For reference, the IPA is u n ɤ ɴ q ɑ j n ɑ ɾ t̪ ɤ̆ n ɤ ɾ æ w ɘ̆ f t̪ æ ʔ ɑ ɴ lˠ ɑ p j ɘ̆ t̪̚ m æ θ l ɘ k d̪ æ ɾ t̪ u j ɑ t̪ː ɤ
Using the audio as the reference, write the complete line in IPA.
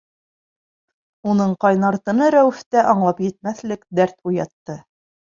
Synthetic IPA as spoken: u n ɤ ɴ q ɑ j n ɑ ɾ t̪ ɤ̆ n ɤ ɾ æ w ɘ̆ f t̪ æ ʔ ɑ ɴ lˠ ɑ p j ɘ̆ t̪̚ m æ θ l ɘ k d̪ æ ɾ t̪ u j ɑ t̪ː ɤ